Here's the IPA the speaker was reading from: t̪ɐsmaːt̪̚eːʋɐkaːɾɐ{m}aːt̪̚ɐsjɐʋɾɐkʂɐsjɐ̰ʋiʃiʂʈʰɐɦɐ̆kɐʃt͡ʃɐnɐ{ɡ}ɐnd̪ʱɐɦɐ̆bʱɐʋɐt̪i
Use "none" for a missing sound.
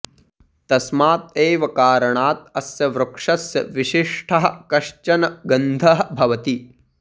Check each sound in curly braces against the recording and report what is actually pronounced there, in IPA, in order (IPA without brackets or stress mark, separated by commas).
ɳ, ɡ